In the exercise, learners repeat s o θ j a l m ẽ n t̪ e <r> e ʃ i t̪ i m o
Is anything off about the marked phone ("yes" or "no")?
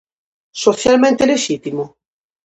yes